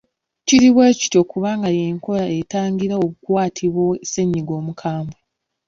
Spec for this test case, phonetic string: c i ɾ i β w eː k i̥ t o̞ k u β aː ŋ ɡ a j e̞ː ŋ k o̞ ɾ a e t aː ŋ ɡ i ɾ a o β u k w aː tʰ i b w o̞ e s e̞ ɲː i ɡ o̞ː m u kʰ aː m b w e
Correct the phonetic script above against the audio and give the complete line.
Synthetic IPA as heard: c i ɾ i β w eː c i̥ t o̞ k u β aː ŋ ɡ a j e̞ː ŋ k o̞ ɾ a e t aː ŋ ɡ i ɾ a o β u k w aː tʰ i β w o̞ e s e̞ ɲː i ɡ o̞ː m u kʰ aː m b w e